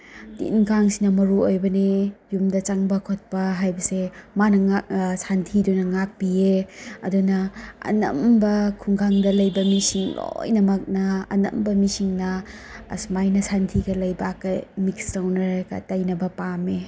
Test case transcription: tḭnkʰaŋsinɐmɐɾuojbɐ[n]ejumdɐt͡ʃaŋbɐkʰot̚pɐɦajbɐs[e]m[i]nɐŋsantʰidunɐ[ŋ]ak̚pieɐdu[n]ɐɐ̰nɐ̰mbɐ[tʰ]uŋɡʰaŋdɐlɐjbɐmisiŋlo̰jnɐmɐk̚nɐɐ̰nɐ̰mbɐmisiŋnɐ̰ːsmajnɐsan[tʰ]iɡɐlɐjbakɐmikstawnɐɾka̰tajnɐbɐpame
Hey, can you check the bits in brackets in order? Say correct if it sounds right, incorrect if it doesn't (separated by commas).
correct, correct, incorrect, correct, correct, incorrect, correct